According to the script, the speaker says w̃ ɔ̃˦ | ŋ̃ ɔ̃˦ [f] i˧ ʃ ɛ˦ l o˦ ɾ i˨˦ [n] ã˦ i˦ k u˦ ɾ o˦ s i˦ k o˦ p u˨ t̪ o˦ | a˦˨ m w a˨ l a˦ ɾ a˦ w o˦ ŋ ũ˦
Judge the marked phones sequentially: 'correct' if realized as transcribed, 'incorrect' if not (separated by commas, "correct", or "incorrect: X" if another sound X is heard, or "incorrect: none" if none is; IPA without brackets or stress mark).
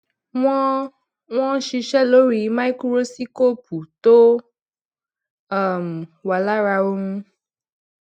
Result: incorrect: ʃ, incorrect: m